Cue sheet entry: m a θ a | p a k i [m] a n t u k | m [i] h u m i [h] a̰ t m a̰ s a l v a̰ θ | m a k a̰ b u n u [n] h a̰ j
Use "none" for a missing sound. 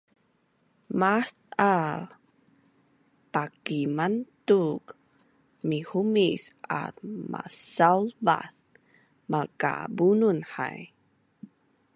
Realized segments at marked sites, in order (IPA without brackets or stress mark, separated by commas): m, i, s, n